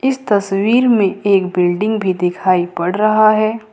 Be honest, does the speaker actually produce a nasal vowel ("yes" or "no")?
yes